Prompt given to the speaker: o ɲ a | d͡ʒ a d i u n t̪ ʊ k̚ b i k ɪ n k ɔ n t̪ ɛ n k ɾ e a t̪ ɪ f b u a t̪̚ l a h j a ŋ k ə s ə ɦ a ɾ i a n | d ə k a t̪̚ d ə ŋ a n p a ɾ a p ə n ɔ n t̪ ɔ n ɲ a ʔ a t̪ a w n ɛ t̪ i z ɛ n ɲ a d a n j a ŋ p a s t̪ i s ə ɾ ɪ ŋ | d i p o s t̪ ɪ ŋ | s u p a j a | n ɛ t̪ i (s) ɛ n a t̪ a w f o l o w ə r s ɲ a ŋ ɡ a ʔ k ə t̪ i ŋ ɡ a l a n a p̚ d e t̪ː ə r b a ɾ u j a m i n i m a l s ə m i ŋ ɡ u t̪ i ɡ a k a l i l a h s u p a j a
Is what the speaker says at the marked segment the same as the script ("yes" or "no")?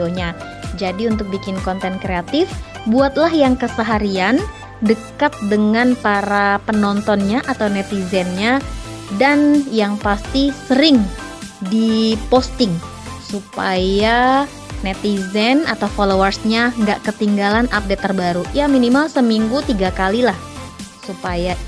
no